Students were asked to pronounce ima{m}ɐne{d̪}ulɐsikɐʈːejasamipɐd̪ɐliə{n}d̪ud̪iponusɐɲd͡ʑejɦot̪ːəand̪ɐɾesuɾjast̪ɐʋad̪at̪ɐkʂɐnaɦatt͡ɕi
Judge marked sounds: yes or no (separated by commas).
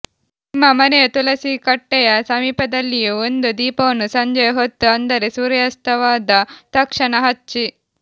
yes, no, yes